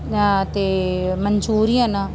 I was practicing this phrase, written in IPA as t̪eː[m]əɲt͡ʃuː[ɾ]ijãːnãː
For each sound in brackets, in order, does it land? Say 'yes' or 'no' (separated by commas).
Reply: yes, yes